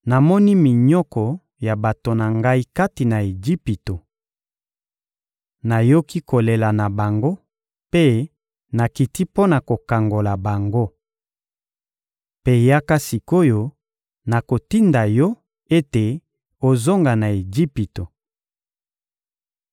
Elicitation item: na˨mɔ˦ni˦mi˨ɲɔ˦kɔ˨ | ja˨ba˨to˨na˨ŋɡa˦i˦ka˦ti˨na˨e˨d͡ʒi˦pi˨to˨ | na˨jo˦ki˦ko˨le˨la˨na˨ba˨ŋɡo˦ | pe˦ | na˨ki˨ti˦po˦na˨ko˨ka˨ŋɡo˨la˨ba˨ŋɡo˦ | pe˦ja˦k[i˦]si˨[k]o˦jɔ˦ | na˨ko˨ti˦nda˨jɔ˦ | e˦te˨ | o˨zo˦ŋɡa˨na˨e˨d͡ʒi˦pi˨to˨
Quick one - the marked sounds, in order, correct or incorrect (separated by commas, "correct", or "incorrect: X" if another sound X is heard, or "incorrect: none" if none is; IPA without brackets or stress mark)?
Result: incorrect: a˦, correct